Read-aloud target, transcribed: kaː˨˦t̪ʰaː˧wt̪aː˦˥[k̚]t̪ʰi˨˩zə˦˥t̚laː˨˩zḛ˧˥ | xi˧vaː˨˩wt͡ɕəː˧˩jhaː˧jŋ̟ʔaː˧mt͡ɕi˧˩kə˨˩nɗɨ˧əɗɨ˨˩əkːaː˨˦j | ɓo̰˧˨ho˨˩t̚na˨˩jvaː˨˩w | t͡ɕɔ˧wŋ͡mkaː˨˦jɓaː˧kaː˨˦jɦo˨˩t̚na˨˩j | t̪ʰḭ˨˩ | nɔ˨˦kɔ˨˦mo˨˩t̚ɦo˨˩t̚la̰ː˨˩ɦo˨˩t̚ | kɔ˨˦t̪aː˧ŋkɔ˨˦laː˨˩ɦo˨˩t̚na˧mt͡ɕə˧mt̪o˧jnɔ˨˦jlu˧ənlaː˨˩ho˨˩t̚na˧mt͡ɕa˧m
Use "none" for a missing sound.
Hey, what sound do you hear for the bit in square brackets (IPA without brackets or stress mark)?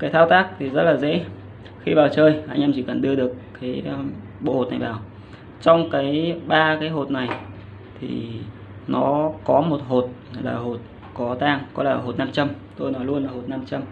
k̚